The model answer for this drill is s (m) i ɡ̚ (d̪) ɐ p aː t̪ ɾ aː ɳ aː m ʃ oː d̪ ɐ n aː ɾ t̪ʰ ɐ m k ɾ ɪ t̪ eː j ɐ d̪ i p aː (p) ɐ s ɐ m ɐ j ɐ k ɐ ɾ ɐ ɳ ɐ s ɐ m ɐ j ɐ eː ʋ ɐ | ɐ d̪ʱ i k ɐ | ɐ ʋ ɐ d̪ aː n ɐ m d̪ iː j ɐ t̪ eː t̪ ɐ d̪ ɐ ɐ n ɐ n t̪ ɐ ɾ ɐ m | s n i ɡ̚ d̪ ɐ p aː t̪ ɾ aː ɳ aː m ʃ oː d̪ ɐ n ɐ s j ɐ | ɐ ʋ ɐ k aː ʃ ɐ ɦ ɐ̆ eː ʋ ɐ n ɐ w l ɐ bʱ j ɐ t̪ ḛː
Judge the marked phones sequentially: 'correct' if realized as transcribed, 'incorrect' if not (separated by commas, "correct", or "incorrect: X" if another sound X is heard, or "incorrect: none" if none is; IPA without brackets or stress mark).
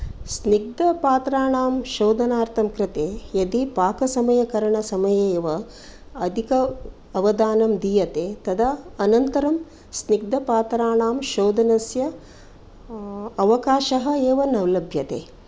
incorrect: n, correct, incorrect: k